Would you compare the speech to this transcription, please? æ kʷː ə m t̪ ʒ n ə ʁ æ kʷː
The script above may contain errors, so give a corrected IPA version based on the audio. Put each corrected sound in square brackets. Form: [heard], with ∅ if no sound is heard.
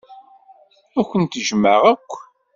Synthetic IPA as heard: æ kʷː ə [n] t̪ ʒ [m] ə ʁ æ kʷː